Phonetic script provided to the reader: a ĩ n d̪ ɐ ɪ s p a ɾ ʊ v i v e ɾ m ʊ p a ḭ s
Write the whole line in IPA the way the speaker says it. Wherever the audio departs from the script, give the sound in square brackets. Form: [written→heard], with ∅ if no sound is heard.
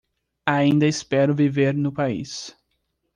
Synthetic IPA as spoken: a ĩ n d̪ ɐ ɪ s p [a→ɛ] ɾ ʊ v i v e ɾ [m→n] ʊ p a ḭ s